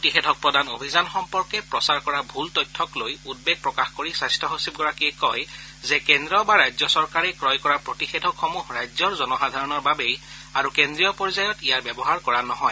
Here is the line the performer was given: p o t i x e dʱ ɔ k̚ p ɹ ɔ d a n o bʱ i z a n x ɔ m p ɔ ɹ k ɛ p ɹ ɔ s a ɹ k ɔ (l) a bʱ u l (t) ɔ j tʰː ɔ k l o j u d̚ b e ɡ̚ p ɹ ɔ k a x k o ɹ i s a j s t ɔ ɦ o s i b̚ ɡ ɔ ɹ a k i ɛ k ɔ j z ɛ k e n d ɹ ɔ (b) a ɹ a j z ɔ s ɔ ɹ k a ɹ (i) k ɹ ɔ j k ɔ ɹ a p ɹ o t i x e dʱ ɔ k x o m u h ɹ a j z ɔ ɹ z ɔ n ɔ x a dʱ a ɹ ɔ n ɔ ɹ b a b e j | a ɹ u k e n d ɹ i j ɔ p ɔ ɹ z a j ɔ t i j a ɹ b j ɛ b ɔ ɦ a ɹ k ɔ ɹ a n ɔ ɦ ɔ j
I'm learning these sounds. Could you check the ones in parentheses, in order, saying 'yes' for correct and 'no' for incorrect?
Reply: no, yes, yes, no

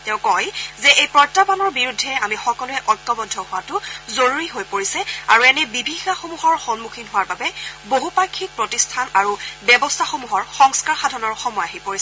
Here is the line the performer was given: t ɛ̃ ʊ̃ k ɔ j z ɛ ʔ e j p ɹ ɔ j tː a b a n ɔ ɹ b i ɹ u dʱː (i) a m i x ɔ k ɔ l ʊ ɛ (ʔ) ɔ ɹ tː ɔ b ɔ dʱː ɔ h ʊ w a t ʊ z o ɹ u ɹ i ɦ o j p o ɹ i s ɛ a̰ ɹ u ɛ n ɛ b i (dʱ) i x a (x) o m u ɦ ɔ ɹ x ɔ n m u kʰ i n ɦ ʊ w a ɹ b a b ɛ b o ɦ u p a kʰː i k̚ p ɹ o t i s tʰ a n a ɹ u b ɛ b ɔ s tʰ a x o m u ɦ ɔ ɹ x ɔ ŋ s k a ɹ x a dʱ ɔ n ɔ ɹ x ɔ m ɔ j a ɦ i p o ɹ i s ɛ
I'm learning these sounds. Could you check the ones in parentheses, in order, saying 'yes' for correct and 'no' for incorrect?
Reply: no, yes, no, yes

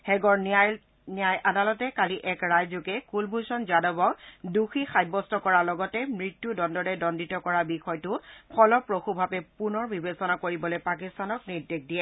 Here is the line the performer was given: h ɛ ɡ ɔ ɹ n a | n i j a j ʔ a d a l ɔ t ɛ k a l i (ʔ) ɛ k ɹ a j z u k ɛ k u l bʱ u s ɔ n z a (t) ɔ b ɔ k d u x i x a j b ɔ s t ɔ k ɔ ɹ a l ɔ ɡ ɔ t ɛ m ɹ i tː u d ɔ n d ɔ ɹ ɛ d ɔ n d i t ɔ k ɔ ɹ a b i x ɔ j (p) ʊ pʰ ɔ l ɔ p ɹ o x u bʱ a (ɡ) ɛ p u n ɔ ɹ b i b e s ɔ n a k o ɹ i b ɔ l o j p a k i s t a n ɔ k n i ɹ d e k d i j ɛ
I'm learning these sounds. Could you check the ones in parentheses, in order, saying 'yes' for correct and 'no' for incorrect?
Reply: yes, no, no, no

